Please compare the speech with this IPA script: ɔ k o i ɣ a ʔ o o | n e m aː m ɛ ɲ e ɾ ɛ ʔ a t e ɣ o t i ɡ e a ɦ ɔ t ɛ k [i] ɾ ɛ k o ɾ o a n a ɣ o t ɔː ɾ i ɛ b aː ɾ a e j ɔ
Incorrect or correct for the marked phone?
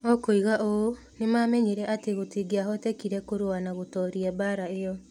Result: correct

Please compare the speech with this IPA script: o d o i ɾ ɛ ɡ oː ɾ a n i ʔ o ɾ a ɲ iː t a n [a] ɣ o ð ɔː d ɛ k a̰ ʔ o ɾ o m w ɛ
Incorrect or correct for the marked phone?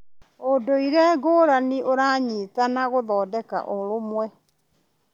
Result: correct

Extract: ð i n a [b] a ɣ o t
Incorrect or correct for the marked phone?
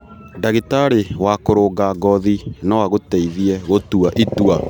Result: incorrect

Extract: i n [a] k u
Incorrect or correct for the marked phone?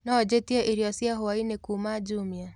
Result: incorrect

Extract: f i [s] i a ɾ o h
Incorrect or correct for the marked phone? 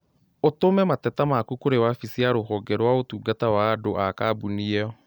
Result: correct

